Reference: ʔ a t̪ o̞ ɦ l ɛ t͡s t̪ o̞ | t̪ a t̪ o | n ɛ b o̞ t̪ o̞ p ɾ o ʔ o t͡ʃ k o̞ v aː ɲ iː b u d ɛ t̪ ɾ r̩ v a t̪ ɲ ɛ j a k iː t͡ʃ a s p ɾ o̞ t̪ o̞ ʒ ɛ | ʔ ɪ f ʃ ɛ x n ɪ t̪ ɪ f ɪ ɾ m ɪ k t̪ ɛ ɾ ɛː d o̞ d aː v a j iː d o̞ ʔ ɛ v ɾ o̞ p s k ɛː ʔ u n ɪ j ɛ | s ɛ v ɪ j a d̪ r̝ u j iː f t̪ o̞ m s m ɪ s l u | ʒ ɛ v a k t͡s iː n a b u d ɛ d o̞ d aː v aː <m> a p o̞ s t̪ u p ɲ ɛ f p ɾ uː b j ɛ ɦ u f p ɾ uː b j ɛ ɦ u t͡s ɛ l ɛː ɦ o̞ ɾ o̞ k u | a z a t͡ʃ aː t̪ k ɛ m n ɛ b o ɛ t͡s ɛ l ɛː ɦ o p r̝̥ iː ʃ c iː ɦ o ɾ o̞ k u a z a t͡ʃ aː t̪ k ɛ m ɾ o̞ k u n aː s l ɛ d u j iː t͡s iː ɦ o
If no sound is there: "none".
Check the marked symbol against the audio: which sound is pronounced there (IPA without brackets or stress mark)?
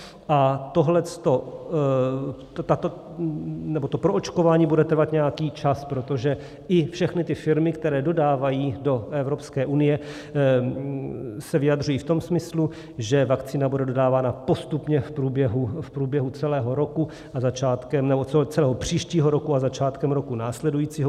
n